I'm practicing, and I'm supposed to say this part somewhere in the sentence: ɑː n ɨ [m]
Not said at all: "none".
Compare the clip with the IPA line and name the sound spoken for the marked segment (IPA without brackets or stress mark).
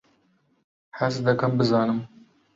m